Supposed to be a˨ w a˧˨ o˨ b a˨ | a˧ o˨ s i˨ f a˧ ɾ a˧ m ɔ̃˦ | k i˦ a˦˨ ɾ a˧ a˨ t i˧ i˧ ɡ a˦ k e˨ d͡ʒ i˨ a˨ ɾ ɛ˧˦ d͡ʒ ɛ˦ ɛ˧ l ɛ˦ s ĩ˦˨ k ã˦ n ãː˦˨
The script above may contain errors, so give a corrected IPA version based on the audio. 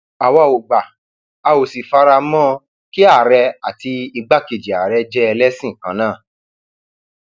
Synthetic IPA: a˨ w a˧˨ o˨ ɡ͡b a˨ | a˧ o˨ s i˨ f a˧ ɾ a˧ m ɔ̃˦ | k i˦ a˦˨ ɾ ɛ˧ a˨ t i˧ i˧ ɡ͡b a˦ k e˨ d͡ʒ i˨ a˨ ɾ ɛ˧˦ d͡ʒ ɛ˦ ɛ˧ l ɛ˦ s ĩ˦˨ k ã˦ n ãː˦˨